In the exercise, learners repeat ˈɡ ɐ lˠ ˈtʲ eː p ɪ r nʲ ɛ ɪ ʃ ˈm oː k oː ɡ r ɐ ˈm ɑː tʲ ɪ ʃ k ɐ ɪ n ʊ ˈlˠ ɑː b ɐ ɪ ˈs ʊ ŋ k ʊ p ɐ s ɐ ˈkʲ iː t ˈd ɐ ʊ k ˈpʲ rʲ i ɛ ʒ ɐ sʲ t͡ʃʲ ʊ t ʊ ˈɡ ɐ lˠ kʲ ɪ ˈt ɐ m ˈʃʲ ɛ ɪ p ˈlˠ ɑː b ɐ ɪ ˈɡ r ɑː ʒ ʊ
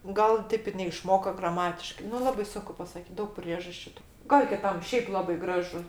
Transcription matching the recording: ˈɡ ɐ lˠ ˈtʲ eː p ɪ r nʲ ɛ ɪ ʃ ˈm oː k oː ɡ r ɐ ˈm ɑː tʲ ɪ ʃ k ɐ ɪ n ʊ ˈlˠ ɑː b ɐ ɪ ˈs ʊ ŋ k ʊ p ɐ s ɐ ˈkʲ iː t ˈd ɐ ʊ k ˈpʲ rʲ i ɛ ʒ ɐ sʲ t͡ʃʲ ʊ t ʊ ˈɡ ɐ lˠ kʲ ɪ ˈt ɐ m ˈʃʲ ɛ ɪ p ˈlˠ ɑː b ɐ ɪ ˈɡ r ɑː ʒ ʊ